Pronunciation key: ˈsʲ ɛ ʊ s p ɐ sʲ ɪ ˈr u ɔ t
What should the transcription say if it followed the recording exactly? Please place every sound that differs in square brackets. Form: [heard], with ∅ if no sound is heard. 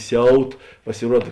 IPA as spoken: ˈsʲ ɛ ʊ [t] p ɐ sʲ ɪ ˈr u ɔ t